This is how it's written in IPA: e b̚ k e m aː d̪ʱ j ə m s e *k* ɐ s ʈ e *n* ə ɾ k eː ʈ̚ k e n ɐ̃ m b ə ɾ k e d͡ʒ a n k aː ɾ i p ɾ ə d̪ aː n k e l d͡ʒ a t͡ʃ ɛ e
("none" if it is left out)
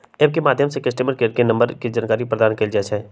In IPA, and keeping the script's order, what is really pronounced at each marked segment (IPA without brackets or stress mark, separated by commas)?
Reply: k, m